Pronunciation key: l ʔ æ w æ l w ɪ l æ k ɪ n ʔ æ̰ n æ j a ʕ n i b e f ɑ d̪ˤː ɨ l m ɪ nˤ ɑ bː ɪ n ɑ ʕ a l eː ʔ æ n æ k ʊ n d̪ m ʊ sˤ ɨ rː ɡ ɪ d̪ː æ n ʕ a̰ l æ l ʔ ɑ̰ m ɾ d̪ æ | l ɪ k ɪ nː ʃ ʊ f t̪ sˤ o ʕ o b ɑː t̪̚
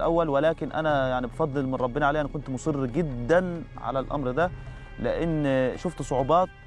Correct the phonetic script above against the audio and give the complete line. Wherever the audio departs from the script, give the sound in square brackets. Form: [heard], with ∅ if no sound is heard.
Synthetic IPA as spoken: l ʔ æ [wː] æ l w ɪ l [æː] k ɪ n ʔ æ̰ n æ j a ʕ n i b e f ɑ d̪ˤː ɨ l m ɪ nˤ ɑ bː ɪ n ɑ ʕ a l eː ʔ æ n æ k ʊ n [t̪] m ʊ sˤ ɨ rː ɡ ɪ d̪ː æ n ʕ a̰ l æ l ʔ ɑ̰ m ɾ d̪ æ | l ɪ [ʔ] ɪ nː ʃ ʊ f t̪ sˤ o ʕ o b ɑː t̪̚